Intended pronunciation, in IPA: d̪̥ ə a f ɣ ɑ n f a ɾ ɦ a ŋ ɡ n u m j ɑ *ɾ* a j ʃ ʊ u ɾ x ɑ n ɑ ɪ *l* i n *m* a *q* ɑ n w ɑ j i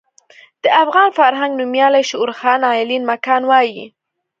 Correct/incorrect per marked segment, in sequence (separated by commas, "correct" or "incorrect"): incorrect, correct, correct, incorrect